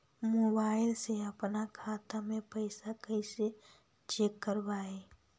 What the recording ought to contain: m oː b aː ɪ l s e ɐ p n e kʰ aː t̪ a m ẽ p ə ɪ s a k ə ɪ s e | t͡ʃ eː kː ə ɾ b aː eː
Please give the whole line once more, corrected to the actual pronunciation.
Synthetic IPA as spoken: m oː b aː ɪ l s e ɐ p n a kʰ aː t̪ a m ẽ p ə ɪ s a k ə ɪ s e | t͡ʃ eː kː ə ɾ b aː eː